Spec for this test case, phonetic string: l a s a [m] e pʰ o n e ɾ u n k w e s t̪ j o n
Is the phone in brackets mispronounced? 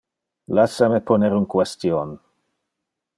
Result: no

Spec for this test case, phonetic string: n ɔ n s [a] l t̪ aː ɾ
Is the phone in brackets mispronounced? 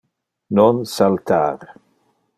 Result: no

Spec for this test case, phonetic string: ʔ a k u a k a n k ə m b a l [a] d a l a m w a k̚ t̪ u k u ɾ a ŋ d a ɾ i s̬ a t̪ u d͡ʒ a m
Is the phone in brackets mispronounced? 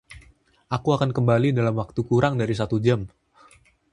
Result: yes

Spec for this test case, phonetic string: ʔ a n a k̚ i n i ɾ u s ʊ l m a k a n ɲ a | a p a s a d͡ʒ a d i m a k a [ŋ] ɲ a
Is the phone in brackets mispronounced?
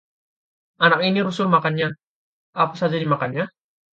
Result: yes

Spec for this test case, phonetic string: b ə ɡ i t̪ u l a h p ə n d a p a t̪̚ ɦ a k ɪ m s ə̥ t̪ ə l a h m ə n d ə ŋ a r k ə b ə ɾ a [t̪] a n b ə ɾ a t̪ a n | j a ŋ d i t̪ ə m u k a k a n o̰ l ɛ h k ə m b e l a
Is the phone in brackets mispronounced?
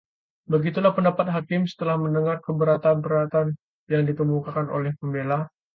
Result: no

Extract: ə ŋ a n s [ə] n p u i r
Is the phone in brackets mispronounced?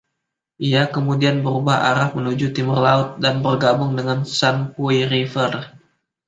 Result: yes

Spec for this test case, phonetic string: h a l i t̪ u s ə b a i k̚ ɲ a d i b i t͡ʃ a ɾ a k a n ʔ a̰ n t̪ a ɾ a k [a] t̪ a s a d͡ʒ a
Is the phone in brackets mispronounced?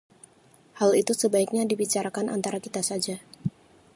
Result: yes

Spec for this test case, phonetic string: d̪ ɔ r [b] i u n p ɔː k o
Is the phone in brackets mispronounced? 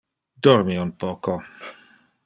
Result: yes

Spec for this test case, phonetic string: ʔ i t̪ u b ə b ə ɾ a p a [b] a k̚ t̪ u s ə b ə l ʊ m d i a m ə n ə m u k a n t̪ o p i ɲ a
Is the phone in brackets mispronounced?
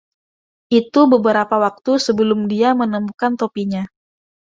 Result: yes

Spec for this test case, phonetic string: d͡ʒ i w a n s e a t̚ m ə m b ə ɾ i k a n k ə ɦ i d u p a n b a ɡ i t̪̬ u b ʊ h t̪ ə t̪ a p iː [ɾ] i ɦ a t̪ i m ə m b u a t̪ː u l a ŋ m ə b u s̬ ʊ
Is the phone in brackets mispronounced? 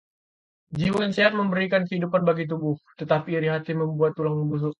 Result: no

